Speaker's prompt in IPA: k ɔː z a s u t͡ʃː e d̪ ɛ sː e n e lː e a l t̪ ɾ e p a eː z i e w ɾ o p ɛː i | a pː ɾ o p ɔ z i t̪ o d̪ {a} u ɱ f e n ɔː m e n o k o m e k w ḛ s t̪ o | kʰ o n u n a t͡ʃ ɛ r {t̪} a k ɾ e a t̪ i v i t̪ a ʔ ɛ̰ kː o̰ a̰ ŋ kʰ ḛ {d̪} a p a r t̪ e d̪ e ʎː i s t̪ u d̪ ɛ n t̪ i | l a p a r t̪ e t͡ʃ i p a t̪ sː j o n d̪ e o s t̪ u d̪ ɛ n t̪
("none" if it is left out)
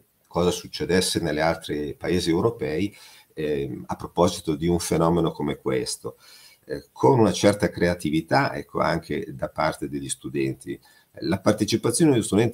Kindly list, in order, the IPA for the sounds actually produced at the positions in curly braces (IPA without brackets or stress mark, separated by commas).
i, t̪, d̪